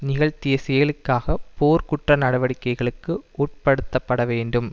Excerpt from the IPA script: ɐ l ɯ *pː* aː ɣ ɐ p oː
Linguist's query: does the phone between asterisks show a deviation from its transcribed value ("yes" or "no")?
yes